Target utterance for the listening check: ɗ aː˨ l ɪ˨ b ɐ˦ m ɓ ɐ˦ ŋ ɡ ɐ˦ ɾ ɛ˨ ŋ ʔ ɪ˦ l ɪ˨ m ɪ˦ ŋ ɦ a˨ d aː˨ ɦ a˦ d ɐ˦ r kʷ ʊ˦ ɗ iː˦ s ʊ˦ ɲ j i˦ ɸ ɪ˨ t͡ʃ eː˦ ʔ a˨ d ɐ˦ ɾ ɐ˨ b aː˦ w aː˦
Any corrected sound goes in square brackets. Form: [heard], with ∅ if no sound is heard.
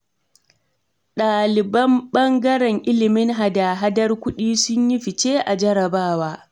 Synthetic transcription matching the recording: ɗ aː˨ l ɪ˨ b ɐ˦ m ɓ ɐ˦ ŋ ɡ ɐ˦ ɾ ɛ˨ ŋ ʔ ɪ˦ l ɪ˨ m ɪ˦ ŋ ɦ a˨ d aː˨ ɦ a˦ d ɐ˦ r kʷ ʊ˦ ɗ iː˦ s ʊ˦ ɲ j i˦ ɸ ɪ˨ t͡ʃ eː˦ ʔ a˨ [d͡ʒ] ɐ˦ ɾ ɐ˨ b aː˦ w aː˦